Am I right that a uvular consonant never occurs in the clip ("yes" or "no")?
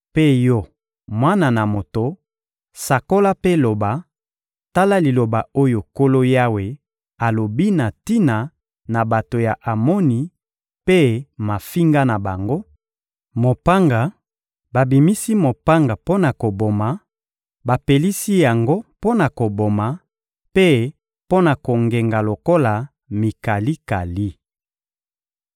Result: yes